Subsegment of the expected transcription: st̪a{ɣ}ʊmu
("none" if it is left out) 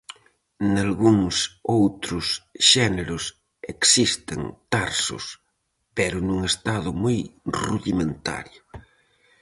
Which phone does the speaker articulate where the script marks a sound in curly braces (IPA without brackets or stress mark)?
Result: ð